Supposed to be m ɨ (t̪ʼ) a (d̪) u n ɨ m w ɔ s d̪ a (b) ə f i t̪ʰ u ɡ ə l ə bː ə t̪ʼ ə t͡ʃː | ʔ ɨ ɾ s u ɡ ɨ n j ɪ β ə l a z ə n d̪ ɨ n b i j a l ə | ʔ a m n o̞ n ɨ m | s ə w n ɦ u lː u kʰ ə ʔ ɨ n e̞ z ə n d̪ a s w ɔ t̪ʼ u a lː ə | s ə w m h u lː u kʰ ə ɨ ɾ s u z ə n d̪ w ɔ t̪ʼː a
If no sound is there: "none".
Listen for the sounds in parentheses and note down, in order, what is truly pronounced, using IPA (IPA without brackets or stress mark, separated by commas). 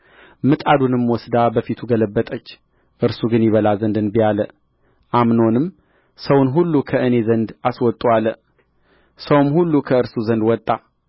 t̪ʼ, d̪, b